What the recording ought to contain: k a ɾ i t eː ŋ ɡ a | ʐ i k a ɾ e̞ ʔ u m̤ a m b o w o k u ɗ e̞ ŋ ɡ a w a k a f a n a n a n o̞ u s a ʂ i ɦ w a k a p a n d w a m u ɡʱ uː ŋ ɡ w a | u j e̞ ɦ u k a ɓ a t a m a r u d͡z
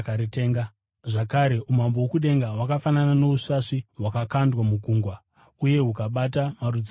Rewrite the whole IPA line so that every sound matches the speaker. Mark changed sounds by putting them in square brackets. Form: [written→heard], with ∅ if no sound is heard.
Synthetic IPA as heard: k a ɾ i t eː ŋ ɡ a | ʐ [i→a] k a ɾ e̞ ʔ u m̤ a m b o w o k u ɗ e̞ ŋ ɡ a w a k a f a n a n a n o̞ u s a ʂ i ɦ w a k a [p→k] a n d w a m u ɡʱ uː ŋ ɡ w a | u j e̞ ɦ u k a ɓ a t a m a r u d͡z

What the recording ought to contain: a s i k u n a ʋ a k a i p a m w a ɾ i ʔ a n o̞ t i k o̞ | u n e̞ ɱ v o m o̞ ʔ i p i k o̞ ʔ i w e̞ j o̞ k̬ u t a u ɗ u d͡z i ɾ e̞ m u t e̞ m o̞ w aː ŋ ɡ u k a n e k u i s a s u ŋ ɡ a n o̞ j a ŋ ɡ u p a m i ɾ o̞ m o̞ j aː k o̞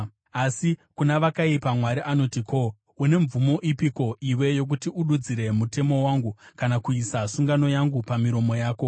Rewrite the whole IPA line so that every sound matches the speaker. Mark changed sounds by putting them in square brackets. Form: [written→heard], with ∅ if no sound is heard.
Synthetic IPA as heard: a s i k u n a ʋ a k a i p a m w a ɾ i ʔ a n o̞ t i k o̞ | u n e̞ ɱ v [o→u] m o̞ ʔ i p i k o̞ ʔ i w e̞ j o̞ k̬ u t [a→i] u ɗ u d͡z i ɾ e̞ m u t e̞ m o̞ w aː ŋ ɡ u k a n [e→a] k u i s a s u ŋ ɡ a n o̞ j a ŋ ɡ u p a m i ɾ o̞ m o̞ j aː k o̞

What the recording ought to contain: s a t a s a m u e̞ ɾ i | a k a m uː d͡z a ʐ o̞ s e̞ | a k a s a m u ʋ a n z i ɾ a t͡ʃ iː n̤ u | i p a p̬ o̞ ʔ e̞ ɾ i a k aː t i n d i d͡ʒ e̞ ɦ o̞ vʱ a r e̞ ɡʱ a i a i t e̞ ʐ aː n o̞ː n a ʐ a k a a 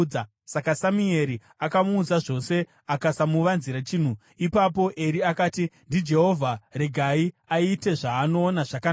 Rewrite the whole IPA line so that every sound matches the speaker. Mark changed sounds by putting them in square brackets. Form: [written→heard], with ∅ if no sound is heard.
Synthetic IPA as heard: s a [t→k] a s a m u e̞ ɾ i | a k a m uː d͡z a ʐ o̞ s e̞ | a k a s a m u ʋ a n z i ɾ a t͡ʃ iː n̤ u | i p a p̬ o̞ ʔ e̞ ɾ i a k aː t i n d i d͡ʒ e̞ ɦ o̞ vʱ a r e̞ ɡʱ a i a i t e̞ ʐ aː n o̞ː n a ʐ a k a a

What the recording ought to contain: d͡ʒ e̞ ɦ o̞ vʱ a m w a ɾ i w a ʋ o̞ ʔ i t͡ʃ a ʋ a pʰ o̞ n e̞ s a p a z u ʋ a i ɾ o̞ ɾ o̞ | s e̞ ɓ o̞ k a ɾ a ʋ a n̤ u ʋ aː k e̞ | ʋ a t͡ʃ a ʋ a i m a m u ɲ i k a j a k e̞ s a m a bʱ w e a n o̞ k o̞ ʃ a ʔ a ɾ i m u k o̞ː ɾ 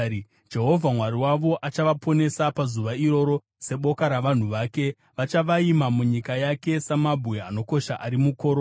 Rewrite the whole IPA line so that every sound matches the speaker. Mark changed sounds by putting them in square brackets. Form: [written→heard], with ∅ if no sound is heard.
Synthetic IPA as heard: d͡ʒ e̞ ɦ o̞ vʱ a m w a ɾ i w a ʋ o̞ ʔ [i→a] t͡ʃ a ʋ a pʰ o̞ n e̞ s a p a z u ʋ a i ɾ o̞ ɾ o̞ | s e̞ ɓ o̞ k a ɾ a ʋ a n̤ u ʋ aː k e̞ | ʋ a t͡ʃ a ʋ a i m a m u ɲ i k a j a k e̞ s a m a bʱ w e a n o̞ k o̞ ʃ a ʔ a ɾ i m u k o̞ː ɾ

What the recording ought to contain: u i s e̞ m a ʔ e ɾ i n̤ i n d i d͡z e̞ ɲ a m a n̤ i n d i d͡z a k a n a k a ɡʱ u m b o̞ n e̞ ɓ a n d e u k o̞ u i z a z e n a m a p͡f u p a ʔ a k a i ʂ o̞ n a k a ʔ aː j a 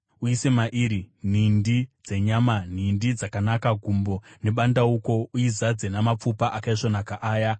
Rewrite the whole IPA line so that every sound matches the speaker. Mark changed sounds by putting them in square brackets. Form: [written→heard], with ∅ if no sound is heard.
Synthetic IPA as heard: u i s e̞ m a ʔ [e→i] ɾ i n̤ i n d i d͡z e̞ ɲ a m a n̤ i n d i d͡z a k a n a k a ɡʱ u m b o̞ n e̞ ɓ a n d [e→a] u k o̞ u i z a [z→d͡z] e n a m a p͡f u p a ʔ a k a i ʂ o̞ n a k a ʔ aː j a

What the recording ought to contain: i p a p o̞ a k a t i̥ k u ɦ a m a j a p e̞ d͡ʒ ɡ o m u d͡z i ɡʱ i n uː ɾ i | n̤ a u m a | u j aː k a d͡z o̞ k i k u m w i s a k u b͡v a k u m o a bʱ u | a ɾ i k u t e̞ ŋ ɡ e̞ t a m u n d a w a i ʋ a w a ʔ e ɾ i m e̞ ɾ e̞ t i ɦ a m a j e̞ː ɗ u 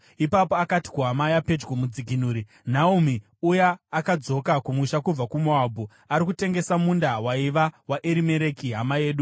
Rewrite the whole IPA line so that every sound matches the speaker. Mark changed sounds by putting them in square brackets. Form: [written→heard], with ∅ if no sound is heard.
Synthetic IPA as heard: i p a p o̞ a k a t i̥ k u ɦ a m a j a p e̞ d͡ʒ ɡ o m u d͡z i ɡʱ i n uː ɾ i | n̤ a u m [a→i] | u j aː k a d͡z o̞ k [i→a] k u m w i [s→ʃ] a k u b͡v a k u m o a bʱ u | a ɾ i k u t e̞ ŋ ɡ e̞ [t→s] a m u n d a w a i ʋ a w a ʔ e ɾ i m e̞ ɾ e̞ [t→k] i ɦ a m a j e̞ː ɗ u

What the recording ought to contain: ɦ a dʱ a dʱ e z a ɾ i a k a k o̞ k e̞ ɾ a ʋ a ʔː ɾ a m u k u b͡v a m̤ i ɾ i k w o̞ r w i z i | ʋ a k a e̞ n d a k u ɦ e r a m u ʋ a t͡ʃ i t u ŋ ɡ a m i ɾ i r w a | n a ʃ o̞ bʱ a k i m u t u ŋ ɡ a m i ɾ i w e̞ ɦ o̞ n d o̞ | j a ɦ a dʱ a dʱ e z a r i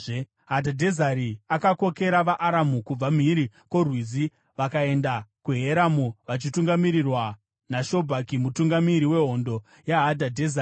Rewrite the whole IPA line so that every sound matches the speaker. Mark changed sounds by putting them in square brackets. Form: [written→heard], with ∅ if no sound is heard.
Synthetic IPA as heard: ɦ a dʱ a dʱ e z a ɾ i a k a k o̞ k e̞ ɾ a ʋ a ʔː ɾ a m u k u b͡v a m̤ i ɾ i k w o̞ r w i z i | ʋ a k a e̞ n d a k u ɦ e [r→ɾ] a m u ʋ a t͡ʃ i t u ŋ ɡ a m i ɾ i r w a | n a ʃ o̞ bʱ a k i m u t u ŋ ɡ a m i ɾ i w e̞ ɦ o̞ n d o̞ | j a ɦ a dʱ a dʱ e z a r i

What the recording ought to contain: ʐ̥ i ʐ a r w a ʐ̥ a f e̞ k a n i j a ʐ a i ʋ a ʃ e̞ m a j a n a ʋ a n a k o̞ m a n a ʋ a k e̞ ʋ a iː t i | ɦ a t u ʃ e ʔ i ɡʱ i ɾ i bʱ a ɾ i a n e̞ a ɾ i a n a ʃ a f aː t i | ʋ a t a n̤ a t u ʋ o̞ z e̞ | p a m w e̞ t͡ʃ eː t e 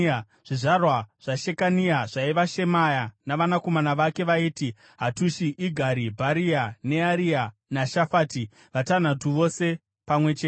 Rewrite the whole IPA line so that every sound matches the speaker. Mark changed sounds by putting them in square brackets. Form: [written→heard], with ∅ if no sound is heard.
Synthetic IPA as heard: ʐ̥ i ʐ a r w a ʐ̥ a [f→ʃ] e̞ k a n i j a ʐ a i ʋ a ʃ e̞ m a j a n a ʋ a n a k o̞ m a n a ʋ a k e̞ ʋ a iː t i | ɦ a t u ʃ [e→i] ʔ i ɡʱ [i→a] ɾ i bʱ a ɾ i a n e̞ a ɾ i a n a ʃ a f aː t i | ʋ a t a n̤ a t u ʋ o̞ [z→s] e̞ | p a m w e̞ t͡ʃ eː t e

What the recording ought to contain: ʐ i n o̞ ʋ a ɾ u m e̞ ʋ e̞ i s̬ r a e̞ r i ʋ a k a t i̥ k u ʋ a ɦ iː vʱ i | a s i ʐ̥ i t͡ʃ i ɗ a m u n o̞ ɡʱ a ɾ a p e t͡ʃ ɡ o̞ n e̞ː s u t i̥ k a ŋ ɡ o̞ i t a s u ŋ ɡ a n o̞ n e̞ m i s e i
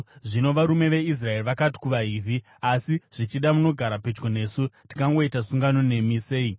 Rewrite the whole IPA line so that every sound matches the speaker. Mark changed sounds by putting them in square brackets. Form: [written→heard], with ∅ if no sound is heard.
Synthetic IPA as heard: ʐ i n o̞ ʋ a ɾ u m e̞ ʋ e̞ i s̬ r a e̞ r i ʋ a k a t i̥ k u ʋ a ɦ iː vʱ i | a s i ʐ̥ i t͡ʃ i ɗ a m u n o̞ ɡʱ a ɾ a p e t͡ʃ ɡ o̞ n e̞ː s u t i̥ k a ŋ ɡ o̞ i t a s u ŋ ɡ a n o̞ n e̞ m i s e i

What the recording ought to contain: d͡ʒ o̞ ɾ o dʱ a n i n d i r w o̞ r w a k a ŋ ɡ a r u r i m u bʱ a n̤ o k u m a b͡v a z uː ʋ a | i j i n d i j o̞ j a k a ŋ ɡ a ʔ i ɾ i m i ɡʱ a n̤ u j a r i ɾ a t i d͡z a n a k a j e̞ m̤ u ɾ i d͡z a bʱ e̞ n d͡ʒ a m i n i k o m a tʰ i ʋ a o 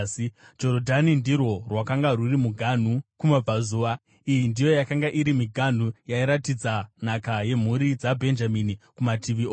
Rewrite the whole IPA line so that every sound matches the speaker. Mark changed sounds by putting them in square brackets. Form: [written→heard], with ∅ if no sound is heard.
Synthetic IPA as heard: d͡ʒ o̞ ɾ o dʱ a n i n d i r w o̞ r w a k a ŋ ɡ a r u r i m u [bʱ→ɡʱ] a n̤ [o→u] k u m a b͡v a z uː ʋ a | i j i n d i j o̞ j a k a ŋ ɡ a ʔ i ɾ i m i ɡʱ a n̤ u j a [r→∅] i ɾ a t i d͡z a n a k a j e̞ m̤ u ɾ i d͡z a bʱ e̞ n d͡ʒ a m i n i k [o→u] m a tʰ i ʋ [a→i] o

